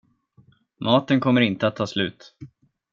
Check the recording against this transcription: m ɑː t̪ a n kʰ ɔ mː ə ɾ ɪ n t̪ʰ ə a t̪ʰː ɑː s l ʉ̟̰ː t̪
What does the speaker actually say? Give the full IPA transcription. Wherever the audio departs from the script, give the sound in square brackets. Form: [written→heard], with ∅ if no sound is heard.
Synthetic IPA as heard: m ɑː t̪ [a→ə] n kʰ ɔ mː ə ɾ ɪ n [t̪ʰ→t̪] ə a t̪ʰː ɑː s l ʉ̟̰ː t̪